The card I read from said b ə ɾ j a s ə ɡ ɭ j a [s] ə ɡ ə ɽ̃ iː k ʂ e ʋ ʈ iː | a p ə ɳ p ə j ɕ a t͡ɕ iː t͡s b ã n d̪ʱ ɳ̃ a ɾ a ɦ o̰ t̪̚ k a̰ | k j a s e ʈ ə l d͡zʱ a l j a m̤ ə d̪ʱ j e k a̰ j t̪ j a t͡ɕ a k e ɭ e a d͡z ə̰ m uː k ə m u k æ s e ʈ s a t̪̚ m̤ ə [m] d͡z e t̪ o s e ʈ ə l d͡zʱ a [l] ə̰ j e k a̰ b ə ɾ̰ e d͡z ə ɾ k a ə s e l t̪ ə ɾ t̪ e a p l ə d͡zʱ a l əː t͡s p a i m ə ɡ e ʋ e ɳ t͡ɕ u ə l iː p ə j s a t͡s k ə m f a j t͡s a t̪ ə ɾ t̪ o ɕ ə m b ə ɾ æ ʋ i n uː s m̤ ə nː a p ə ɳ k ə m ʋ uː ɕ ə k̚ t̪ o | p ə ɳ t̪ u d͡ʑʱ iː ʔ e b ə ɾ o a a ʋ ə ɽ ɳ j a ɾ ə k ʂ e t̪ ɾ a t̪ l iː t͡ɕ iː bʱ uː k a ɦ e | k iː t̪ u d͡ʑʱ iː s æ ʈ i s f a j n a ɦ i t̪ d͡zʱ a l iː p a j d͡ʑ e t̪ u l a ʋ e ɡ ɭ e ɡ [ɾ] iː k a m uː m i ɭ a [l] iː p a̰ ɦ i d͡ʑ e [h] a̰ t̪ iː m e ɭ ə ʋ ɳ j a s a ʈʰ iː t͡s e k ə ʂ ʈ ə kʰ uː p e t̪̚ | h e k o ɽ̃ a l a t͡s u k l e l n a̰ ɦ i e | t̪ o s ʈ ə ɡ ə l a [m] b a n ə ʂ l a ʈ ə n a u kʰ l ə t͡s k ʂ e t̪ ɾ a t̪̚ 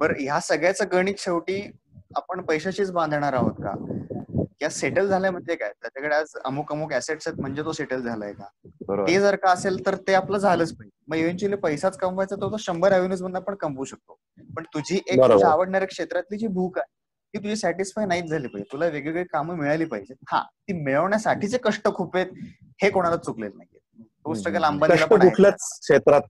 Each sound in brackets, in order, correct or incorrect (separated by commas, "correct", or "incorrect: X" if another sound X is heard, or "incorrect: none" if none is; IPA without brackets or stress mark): incorrect: t͡s, incorrect: ɳ, correct, incorrect: ɭ, correct, correct, correct